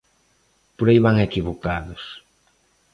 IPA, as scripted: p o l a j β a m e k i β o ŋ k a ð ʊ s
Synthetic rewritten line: p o ɾ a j β a ŋ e k i β o k a ð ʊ s

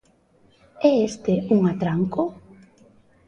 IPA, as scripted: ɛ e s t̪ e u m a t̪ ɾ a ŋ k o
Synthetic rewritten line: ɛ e s t̪ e u ŋ a t̪ ɾ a ŋ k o

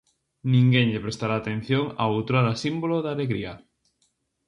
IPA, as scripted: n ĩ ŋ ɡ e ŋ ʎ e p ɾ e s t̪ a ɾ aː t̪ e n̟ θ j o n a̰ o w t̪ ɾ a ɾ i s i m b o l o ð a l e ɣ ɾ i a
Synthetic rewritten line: n ĩ ŋ ɡ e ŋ ʎ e p ɾ e s t̪ a ɾ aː t̪ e n̟ θ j o ŋ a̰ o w t̪ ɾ a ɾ a s i m b o l o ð a l e ɣ ɾ i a

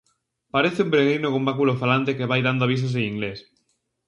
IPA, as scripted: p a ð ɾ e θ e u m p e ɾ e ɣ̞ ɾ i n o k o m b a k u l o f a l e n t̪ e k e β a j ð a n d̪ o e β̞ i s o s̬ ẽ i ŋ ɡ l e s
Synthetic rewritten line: p a ɾ e θ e u m p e ɾ e ɣ̞ ɾ i n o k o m b a k u l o f a l a n t̪ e k e β a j ð a n d̪ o a β̞ i s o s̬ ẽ i ŋ ɡ l e s

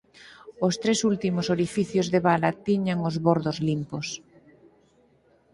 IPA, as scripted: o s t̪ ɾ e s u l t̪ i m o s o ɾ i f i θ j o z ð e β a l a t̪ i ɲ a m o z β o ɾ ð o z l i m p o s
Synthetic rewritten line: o s t̪ ɾ e s u l t̪ i m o s o ɾ i f i θ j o z ð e β a l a t̪ i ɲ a ŋ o z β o ɾ ð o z l i m p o s

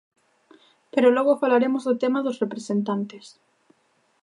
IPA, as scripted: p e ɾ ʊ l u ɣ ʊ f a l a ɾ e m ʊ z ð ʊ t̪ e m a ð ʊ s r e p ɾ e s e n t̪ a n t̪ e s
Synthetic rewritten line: p e ɾ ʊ l ɔ ɣ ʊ f a l a ɾ e m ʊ z ð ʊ t̪ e m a ð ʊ s r e p ɾ e s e n t̪ a n t̪ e s

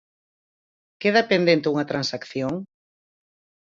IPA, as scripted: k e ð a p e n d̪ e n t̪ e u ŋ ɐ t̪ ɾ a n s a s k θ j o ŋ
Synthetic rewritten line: k e ð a p e n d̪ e n t̪ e u ŋ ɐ t̪ ɾ a n s a k θ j o ŋ

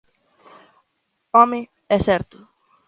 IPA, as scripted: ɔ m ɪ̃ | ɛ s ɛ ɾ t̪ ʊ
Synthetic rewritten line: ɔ m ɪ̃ | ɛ s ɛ ɾ t̪ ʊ

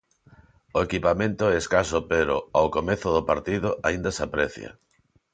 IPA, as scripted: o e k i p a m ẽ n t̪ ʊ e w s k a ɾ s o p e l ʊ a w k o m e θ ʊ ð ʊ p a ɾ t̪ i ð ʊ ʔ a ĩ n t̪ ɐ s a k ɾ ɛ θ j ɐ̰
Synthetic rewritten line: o e k i p a m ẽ n t̪ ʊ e s k a s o p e ɾ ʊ a w k o m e θ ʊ ð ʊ p a ɾ t̪ i ð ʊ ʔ a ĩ n d̪ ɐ s a p ɾ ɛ θ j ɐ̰

